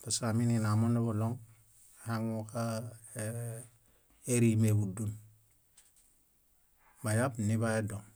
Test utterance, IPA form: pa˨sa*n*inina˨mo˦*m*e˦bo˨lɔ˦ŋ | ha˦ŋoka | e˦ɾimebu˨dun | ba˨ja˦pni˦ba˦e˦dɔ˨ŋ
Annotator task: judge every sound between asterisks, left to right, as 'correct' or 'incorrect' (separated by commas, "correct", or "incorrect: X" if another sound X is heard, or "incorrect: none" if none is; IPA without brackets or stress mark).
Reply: incorrect: m, incorrect: n